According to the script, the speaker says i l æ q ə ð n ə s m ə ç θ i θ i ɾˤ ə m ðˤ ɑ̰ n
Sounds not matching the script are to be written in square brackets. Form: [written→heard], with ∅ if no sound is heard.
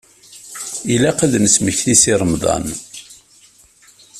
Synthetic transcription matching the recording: i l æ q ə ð n ə s m ə ç θ i [θ→s] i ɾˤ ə m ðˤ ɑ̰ n